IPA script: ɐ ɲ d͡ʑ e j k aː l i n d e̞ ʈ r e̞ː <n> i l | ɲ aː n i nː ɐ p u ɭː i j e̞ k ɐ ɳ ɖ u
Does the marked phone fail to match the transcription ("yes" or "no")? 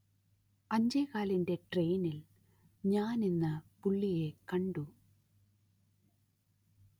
no